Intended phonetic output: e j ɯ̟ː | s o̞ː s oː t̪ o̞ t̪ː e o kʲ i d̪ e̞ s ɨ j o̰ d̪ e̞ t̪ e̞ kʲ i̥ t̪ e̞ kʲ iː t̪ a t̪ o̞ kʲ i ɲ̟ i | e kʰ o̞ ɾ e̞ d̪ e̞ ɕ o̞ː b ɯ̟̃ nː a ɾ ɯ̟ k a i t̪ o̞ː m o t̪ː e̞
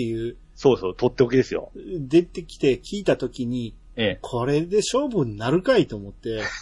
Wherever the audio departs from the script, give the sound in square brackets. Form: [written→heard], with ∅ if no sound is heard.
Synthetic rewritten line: e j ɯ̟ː | s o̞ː s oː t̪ o̞ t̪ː e o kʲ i d̪ e̞ s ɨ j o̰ d̪ e̞ t̪ e̞ kʲ i̥ t̪ e̞ kʲ iː t̪ a t̪ o̞ kʲ i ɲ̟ i | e kʰ o̞ ɾ e̞ d̪ e̞ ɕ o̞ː b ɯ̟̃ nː a ɾ ɯ̟ k a i t̪ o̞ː m o t̪ː e̞